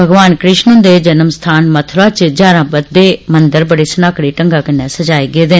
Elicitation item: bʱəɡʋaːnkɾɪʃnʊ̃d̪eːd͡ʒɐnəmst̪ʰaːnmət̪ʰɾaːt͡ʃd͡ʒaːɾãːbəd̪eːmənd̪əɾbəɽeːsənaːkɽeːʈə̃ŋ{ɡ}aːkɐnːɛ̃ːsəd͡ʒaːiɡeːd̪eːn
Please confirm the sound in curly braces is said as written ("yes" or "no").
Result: yes